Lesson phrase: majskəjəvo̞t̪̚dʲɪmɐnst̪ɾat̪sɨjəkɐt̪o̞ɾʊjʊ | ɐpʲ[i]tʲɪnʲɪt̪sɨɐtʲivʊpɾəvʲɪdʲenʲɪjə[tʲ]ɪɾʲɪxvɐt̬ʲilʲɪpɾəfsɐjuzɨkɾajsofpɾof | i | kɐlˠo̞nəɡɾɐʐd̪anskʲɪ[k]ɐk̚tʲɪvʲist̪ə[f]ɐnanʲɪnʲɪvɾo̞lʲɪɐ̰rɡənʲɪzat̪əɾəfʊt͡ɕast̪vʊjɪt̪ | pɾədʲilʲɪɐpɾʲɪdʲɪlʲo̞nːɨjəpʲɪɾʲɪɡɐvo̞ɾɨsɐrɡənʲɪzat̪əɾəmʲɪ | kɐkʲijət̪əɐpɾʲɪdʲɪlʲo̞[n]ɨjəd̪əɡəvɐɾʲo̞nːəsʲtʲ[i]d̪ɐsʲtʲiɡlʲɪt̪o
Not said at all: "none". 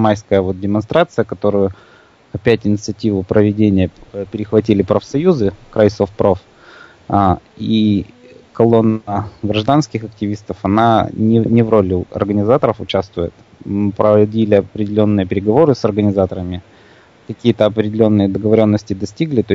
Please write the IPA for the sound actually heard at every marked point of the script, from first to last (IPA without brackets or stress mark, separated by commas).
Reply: æ, pʲ, x, f, nː, ɪ